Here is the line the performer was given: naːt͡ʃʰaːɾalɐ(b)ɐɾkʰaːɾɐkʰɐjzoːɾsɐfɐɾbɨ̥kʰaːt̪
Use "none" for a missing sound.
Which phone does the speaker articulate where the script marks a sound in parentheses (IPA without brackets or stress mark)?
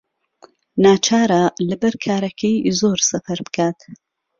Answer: b